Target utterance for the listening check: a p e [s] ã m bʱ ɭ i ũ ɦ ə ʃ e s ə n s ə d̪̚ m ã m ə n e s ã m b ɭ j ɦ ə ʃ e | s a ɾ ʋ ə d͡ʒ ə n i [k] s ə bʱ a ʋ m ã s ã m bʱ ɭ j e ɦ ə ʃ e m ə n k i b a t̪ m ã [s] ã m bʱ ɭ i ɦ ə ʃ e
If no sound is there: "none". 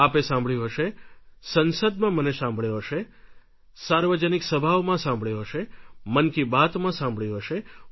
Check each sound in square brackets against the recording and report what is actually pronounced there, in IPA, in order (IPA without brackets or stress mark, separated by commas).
s, k, s